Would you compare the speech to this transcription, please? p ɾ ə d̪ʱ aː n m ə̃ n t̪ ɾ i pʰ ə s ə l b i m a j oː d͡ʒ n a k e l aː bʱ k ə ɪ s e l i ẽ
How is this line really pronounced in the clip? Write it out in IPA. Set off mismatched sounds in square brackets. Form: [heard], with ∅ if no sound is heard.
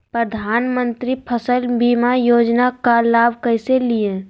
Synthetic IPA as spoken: p ɾ ə d̪ʱ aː n m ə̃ n t̪ ɾ i pʰ ə s ə l b i m a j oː d͡ʒ n a k [a] l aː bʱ k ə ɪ s e l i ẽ